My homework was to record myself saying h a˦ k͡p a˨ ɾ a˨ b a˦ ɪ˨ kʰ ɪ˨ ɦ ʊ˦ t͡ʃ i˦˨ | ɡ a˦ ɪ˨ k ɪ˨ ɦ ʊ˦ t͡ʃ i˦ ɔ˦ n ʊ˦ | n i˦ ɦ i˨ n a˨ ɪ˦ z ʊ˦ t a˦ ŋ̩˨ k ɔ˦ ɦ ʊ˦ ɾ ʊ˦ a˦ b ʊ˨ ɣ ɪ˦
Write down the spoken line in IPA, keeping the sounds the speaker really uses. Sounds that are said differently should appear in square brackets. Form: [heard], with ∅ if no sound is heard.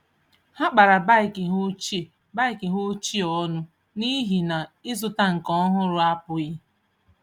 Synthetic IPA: h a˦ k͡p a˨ ɾ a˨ b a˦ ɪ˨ [k] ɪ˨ ɦ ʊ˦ t͡ʃ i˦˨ | [b] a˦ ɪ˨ k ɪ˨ ɦ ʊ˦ t͡ʃ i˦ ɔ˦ n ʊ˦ | n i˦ ɦ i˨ n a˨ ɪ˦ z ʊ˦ t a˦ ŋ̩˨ k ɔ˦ ɦ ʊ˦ ɾ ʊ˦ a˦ [p] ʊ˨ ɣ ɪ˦